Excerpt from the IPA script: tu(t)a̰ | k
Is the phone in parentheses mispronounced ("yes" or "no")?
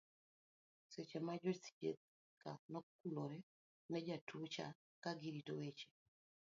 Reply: yes